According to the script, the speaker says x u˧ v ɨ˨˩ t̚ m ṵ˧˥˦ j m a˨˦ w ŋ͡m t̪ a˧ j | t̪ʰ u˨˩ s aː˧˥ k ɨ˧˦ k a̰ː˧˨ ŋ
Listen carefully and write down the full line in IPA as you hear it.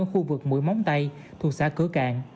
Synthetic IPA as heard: x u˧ v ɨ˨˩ k̚ m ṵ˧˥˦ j m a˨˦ w ŋ͡m t̪ a˧ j | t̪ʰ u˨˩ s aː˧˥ k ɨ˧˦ k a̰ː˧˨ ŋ